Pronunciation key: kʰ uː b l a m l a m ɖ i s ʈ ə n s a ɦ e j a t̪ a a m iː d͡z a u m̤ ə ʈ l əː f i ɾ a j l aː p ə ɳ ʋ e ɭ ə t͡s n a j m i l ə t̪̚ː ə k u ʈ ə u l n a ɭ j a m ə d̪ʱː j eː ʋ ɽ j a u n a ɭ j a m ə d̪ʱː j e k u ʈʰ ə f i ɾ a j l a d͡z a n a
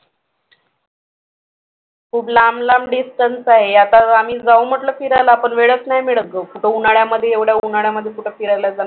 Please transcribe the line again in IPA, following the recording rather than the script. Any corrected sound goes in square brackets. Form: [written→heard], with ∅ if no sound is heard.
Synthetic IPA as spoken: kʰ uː b l a m l a m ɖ i s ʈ ə n s a ɦ e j a t̪ a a m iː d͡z a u m̤ ə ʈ l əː f i ɾ a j l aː p ə ɳ ʋ e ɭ ə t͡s n a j m i [l→ɭ] ə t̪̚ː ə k u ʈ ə u [l→∅] n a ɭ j a m ə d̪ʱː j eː ʋ ɽ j a u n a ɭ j a m ə d̪ʱː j e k u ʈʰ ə f i ɾ a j l a d͡z a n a